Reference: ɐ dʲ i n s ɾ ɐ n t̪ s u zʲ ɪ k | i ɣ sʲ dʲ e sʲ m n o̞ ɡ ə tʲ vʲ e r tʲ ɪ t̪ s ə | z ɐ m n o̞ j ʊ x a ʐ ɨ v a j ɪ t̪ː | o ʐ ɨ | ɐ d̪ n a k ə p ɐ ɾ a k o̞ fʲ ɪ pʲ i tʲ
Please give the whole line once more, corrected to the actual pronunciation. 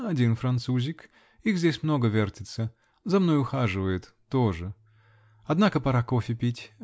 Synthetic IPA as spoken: ɐ dʲ i n f ɾ ɐ n t̪ s u zʲ ɪ k | i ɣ zʲ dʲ e sʲ m n o̞ ɡ ə vʲ e r tʲ ɪ t̪ s ə | z ɐ m n o̞ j ʊ x a ʐ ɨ v ə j ɪ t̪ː | o ʐ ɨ | ɐ d̪ n a k ə p ɐ ɾ a k o̞ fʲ ɪ pʲ i tʲ

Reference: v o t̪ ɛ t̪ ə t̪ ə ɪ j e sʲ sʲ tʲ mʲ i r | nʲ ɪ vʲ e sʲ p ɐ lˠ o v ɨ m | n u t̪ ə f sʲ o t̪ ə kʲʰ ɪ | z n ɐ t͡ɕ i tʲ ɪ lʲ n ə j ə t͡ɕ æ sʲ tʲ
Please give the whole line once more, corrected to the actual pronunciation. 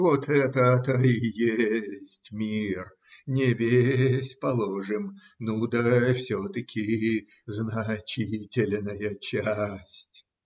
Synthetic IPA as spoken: v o t̪ ɛ t̪ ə t̪ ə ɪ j e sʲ sʲ tʲ mʲ i r | nʲ ɪ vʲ e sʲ p ɐ lˠ o ʐ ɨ m | n u d̪ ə f sʲ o t̪ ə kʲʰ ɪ | z n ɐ t͡ɕ i tʲ ɪ lʲ n ə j ə t͡ɕ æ sʲ tʲ

